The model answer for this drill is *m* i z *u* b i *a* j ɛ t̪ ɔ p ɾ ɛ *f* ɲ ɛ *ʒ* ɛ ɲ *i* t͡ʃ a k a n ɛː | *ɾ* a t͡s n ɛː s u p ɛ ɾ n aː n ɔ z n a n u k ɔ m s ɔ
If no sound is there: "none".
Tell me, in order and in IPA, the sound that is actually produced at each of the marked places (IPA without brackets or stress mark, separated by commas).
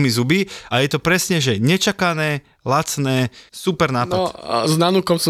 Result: m, u, a, s, ʒ, ɛ, l